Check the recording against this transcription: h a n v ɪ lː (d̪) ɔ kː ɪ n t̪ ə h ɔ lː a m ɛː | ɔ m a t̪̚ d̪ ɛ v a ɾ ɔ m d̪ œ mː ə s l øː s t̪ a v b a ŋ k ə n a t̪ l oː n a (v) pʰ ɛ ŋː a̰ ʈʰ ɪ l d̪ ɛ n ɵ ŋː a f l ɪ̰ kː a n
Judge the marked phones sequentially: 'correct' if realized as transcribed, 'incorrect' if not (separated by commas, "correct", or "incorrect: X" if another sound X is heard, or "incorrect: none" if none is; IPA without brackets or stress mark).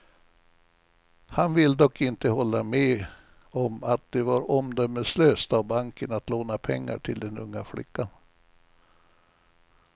correct, incorrect: none